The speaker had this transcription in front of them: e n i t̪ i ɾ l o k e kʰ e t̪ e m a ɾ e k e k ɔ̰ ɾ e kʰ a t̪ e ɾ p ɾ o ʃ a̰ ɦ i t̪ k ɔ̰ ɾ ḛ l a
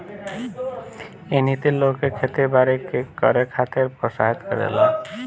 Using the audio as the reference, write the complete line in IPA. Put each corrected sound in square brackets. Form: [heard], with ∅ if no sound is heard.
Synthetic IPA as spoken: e n i t̪ i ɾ l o k e kʰ e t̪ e [b] a ɾ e k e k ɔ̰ ɾ e kʰ a t̪ e ɾ p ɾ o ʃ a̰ ɦ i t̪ k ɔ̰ ɾ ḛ l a